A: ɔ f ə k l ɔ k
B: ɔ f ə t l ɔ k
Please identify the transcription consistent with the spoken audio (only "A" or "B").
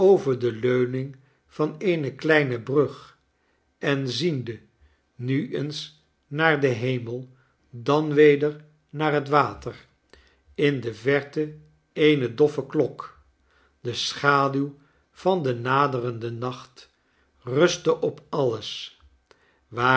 A